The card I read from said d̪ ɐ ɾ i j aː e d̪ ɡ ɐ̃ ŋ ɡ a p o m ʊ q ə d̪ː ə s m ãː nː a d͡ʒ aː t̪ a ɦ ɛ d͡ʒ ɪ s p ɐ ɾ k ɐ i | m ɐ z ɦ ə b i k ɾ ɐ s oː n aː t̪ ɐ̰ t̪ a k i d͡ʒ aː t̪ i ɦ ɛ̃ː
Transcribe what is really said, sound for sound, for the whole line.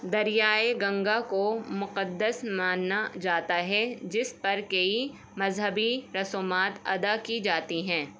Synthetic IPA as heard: d̪ ɐ ɾ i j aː e ɡ ɐ̃ ŋ ɡ a k o m ʊ q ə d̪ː ə s m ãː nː a d͡ʒ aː t̪ a ɦ ɛ d͡ʒ ɪ s p ɐ ɾ k ɐ i | m ɐ z ɦ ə b i ɾ ɐ s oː m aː t̪ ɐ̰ d̪ a k i d͡ʒ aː t̪ i ɦ ɛ̃ː